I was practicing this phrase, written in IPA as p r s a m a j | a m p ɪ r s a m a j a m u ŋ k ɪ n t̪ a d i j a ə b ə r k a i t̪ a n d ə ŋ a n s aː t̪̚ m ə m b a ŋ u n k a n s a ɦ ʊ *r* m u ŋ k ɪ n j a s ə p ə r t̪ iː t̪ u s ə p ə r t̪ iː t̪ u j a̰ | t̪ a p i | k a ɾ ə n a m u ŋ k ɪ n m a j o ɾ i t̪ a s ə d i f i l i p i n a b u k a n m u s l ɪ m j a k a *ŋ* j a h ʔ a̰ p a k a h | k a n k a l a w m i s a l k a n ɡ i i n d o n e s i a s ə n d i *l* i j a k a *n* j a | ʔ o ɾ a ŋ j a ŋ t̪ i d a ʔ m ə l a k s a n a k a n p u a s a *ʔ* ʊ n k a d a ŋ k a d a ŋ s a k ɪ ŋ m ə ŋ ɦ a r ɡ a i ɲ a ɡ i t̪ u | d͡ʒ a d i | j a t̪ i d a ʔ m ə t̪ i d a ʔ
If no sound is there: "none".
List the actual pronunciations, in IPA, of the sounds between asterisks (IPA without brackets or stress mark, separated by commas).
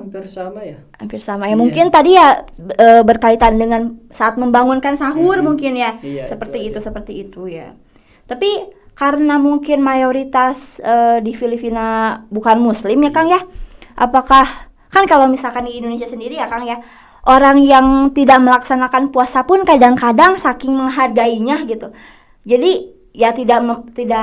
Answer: r, ŋ, ɾ, ŋ, p